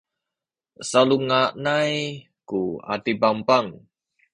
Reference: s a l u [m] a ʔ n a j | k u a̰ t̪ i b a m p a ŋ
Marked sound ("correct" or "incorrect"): incorrect